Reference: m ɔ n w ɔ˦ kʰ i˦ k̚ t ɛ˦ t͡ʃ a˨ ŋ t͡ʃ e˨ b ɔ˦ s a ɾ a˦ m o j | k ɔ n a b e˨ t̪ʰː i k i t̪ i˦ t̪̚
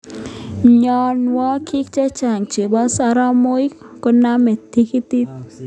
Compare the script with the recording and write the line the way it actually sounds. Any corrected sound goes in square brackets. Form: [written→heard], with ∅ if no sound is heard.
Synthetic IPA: [m→ɲ] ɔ n w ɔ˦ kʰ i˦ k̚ [t→t͡ʃ] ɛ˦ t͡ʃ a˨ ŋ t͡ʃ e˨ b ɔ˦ s a ɾ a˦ m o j | k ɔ n a [b→m] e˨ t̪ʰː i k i t̪ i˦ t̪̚